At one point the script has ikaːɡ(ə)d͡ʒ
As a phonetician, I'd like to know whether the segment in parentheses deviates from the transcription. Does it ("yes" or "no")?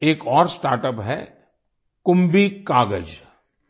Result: no